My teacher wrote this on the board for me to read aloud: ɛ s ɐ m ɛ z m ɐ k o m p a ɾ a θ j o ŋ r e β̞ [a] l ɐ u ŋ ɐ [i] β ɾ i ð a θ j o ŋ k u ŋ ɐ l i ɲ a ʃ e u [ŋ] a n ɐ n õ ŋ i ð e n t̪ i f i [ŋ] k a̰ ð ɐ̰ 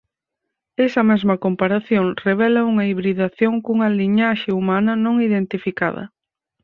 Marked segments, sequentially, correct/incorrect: incorrect, correct, incorrect, incorrect

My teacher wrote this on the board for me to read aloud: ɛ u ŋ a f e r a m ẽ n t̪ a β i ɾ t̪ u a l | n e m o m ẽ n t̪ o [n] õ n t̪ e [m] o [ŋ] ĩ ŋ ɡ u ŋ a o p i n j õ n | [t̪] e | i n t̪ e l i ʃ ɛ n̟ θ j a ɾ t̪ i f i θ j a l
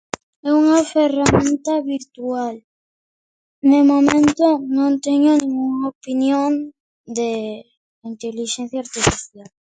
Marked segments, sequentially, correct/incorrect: correct, incorrect, incorrect, incorrect

